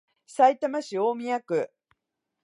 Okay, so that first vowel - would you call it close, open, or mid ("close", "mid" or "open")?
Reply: open